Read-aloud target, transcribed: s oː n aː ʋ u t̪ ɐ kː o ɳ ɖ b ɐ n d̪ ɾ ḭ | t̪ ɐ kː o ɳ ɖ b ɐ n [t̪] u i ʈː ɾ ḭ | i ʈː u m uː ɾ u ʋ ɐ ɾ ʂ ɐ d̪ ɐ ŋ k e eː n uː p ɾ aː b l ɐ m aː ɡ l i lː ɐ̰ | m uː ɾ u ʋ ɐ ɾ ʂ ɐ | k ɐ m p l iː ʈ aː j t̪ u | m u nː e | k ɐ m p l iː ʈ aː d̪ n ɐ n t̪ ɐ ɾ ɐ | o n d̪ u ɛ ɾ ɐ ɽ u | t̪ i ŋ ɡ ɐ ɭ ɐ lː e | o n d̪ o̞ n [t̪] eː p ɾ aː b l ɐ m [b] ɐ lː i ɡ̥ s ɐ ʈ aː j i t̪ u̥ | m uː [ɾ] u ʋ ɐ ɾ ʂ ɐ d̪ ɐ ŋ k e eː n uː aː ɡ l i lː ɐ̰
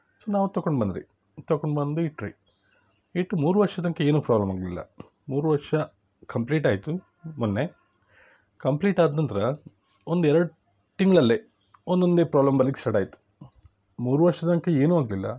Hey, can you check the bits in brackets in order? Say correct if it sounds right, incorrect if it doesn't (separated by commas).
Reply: incorrect, incorrect, correct, correct